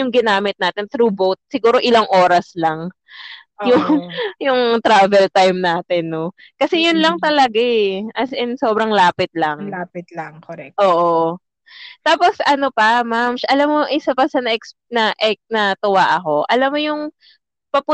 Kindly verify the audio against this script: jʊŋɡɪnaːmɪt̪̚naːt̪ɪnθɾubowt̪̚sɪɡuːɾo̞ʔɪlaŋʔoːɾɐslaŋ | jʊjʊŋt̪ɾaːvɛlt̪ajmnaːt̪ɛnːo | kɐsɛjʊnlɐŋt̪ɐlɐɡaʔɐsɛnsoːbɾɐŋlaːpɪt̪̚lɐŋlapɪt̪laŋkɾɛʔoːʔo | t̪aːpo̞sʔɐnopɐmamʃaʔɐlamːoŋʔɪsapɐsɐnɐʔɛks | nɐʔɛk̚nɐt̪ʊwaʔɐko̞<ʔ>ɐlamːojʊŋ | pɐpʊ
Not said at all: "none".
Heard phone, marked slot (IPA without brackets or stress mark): ʔ